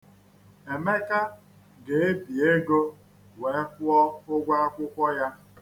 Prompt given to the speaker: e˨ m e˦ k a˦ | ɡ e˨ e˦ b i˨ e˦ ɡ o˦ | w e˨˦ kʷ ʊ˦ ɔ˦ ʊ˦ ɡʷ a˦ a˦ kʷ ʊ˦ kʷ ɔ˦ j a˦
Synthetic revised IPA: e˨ m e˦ k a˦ | ɡ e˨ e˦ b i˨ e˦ ɡ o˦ | w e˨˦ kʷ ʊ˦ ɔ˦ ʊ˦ ɡʷ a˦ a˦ kʷ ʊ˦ kʷ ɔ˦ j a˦